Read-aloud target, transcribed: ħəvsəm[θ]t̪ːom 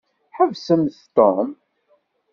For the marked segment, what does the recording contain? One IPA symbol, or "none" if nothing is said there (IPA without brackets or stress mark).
θ